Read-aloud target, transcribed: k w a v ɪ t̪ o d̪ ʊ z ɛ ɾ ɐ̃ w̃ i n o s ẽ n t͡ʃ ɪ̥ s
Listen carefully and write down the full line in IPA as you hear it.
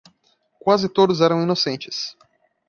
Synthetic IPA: k w a z ɪ t̪ o d̪ ʊ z ɛ ɾ ɐ̃ w̃ i n o s ẽ n t͡ʃ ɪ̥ s